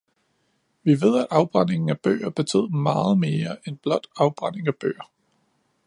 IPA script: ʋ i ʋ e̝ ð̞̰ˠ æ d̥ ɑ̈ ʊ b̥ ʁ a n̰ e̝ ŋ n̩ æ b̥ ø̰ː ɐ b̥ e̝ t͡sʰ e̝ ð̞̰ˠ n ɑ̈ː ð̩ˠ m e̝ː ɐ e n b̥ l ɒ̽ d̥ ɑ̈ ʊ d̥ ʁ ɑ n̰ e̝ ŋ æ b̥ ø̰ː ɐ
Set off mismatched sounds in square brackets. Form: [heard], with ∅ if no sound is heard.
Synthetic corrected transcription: ʋ i ʋ e̝ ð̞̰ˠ æ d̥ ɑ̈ ʊ b̥ ʁ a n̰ e̝ ŋ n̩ æ b̥ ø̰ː ɐ b̥ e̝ t͡sʰ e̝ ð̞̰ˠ [m] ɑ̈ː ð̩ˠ m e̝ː ɐ e n b̥ l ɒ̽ d̥ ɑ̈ ʊ [b̥] ʁ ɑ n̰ e̝ ŋ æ b̥ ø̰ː ɐ